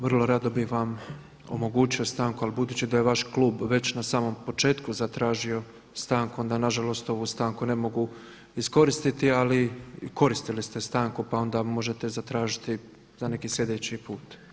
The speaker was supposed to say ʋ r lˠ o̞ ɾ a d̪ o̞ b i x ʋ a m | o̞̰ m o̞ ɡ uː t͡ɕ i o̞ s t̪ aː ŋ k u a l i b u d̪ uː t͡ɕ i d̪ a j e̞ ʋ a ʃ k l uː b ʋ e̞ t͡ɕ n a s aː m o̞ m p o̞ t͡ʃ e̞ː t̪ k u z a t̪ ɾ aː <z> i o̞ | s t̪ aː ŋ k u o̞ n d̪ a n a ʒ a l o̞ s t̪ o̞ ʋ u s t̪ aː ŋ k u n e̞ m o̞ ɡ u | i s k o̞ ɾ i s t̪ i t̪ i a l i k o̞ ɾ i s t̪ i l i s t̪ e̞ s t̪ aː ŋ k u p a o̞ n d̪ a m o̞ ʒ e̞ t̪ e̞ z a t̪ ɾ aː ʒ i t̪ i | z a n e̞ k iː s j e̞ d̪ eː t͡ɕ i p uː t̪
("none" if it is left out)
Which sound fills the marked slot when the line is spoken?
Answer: ʒ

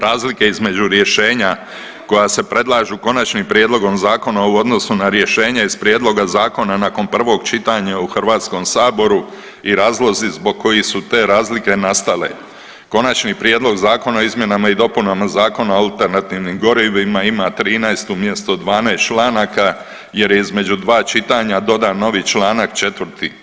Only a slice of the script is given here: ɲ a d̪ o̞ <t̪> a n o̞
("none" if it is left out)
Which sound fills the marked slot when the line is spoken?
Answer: d̪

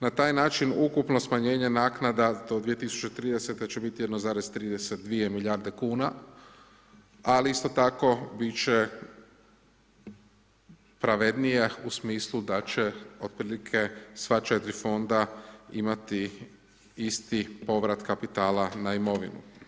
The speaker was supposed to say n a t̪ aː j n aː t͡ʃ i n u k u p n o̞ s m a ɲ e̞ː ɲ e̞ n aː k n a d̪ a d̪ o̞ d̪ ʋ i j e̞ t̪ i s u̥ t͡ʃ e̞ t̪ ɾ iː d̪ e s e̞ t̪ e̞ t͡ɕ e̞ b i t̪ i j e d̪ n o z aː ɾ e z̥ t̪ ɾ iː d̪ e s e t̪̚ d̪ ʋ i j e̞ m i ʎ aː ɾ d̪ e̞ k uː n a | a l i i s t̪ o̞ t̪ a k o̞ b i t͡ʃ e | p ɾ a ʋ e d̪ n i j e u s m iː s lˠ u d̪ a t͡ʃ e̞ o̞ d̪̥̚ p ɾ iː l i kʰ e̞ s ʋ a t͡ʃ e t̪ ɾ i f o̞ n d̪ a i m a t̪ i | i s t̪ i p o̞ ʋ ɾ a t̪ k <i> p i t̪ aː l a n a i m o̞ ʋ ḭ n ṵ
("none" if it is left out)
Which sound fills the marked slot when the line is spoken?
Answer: a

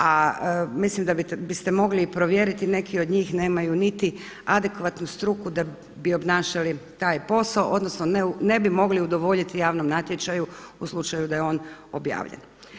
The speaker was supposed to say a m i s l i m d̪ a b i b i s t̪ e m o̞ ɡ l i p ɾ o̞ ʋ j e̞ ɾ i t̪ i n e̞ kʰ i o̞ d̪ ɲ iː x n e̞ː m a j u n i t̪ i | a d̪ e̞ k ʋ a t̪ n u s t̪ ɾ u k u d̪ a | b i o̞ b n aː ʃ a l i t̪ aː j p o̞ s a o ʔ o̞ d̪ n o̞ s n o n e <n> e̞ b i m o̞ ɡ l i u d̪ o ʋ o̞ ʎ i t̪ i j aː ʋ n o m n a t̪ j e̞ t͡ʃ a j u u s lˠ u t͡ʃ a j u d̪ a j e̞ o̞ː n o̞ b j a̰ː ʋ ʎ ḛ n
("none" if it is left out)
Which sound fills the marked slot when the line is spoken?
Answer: n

